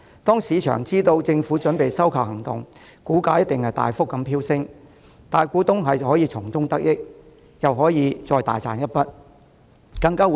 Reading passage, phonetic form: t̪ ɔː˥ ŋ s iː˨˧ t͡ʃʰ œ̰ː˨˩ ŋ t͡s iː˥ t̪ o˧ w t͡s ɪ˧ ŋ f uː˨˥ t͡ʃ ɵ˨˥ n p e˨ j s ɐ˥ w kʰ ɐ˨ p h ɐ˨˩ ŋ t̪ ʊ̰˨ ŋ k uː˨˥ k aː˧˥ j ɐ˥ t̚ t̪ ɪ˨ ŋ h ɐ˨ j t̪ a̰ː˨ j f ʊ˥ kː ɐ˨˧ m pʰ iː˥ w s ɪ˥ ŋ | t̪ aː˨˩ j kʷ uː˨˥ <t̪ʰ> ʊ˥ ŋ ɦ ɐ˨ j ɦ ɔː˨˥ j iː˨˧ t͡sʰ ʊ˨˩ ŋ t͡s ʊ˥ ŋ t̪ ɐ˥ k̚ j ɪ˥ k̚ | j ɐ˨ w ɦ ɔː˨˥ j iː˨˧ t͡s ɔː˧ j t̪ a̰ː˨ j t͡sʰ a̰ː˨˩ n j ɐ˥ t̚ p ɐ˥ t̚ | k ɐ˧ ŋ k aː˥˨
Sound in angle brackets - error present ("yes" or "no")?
yes